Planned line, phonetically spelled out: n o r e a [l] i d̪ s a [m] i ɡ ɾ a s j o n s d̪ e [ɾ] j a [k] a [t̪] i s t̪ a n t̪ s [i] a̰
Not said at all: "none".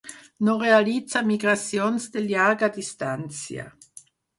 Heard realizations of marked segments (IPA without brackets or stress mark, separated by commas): l, m, l, ɡ, d̪, j